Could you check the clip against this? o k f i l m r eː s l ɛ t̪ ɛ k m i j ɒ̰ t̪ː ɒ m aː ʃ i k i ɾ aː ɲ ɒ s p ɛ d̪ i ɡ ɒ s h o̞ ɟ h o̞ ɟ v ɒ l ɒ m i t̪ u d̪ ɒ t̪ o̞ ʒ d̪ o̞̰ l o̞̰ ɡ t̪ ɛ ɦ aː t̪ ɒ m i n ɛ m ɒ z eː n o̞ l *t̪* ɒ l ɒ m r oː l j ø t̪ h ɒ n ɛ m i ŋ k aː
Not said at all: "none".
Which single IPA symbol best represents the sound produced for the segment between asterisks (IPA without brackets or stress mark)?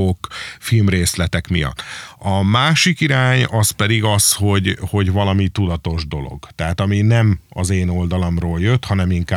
d̪